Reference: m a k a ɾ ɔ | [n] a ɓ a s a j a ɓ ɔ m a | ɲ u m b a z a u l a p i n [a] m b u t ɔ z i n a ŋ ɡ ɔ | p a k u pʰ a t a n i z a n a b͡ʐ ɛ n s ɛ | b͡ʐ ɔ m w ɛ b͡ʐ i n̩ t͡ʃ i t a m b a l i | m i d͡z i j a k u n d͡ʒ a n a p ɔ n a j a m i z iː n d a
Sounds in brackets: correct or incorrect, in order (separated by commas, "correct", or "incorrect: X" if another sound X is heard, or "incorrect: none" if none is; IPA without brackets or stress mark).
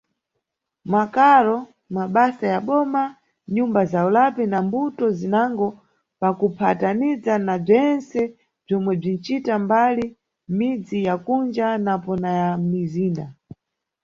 incorrect: m, correct